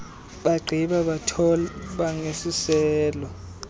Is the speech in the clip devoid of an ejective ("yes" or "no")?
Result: yes